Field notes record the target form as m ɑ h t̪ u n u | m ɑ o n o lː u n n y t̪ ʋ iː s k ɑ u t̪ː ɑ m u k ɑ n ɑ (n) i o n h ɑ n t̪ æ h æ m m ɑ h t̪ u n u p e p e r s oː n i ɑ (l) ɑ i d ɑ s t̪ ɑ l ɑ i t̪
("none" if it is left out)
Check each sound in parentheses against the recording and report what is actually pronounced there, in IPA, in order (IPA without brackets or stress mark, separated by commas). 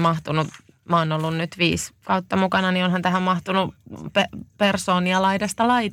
n, l